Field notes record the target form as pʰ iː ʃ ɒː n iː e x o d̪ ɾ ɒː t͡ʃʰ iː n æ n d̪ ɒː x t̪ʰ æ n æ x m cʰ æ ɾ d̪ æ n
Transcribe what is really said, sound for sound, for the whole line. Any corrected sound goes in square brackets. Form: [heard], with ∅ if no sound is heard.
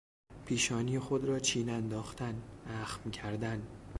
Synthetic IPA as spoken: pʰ iː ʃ ɒː n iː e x o d̪ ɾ ɒː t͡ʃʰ iː n æ n d̪ ɒː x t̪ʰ æ n æ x m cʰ æ ɾ d̪ æ n